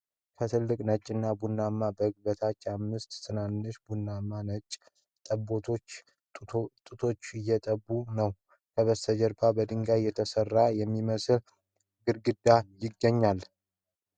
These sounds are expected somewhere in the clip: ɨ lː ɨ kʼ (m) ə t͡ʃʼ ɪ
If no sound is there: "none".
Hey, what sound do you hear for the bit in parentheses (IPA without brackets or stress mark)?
n